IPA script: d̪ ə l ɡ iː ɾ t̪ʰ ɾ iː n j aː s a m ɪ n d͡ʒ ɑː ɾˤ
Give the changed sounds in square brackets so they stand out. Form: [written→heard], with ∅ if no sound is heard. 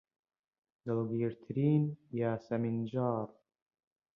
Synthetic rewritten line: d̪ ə l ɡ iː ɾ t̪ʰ ɾ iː n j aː s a m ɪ n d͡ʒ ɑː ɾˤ